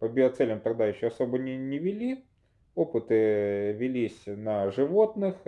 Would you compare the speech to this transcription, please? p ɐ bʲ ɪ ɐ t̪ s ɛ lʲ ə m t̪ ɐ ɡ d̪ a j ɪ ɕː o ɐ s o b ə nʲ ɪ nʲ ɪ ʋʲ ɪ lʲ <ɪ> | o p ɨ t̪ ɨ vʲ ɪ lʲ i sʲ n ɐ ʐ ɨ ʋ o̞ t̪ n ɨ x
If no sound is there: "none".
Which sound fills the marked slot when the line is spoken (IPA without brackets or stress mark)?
i